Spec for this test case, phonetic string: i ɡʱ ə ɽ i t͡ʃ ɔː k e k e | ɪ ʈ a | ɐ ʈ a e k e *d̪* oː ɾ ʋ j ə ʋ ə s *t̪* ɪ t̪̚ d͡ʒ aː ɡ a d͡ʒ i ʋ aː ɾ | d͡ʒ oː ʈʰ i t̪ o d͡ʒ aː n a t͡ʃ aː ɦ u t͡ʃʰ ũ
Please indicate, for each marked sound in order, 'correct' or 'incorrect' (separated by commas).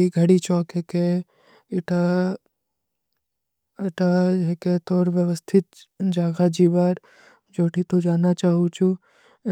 incorrect, incorrect